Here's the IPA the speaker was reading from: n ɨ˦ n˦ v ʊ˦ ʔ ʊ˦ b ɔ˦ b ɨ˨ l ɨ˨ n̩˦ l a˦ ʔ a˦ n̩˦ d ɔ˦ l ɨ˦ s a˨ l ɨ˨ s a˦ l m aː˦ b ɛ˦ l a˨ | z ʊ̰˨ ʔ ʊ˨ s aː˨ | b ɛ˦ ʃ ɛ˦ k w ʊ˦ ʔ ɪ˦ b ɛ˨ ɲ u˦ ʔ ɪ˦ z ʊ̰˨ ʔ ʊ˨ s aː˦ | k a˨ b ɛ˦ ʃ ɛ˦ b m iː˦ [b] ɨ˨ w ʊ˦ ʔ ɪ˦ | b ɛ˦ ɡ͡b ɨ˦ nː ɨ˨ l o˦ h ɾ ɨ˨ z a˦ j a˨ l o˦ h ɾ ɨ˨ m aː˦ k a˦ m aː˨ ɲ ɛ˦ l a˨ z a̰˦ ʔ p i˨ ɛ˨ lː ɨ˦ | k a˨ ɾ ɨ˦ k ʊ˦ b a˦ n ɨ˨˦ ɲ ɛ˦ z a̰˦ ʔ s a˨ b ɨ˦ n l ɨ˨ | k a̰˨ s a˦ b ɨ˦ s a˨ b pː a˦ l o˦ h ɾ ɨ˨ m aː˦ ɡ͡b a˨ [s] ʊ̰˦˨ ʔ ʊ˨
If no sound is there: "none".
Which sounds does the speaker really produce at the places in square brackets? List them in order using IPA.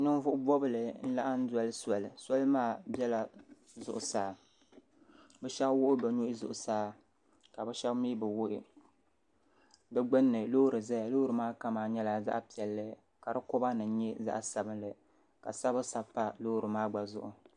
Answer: b, z

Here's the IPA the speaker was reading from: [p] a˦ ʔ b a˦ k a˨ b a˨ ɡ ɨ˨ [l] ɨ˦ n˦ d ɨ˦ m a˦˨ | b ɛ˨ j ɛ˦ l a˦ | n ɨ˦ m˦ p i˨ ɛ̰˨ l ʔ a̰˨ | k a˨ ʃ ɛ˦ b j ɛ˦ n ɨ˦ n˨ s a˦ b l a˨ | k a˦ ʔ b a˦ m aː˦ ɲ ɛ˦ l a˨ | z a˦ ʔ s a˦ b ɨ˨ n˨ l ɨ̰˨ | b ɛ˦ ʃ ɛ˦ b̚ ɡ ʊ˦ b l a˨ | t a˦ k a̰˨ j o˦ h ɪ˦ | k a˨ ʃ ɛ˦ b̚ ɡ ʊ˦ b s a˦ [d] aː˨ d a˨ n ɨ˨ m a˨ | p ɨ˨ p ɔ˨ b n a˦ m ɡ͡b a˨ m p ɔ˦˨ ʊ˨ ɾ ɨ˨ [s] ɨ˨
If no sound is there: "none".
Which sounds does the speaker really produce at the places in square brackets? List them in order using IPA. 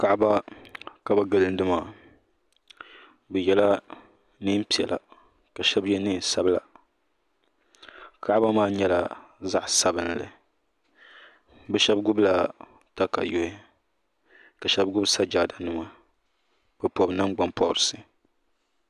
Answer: k, l, d͡ʒ, s

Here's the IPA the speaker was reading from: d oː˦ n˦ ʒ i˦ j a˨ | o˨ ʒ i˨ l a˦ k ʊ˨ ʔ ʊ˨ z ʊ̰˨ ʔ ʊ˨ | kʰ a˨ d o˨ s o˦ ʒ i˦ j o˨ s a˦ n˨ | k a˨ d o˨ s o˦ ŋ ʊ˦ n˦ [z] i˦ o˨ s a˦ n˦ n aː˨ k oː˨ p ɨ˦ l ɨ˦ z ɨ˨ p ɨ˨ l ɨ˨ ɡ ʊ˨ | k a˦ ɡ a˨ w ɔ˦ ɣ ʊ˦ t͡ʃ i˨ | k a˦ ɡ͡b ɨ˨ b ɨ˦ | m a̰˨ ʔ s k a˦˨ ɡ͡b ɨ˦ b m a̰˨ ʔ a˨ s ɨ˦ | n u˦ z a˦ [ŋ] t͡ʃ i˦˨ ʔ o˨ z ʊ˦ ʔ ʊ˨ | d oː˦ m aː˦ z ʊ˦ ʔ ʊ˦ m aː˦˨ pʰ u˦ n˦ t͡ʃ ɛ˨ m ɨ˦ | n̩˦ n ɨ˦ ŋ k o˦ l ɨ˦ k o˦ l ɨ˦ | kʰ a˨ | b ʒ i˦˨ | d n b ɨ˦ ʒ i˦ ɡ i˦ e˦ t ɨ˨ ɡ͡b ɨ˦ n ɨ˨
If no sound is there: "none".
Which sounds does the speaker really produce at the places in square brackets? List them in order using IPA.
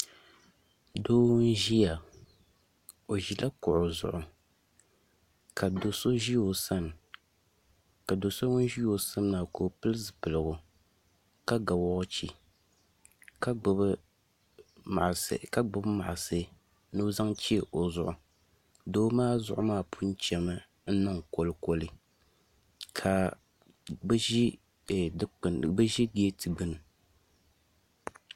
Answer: ʒ, ŋ

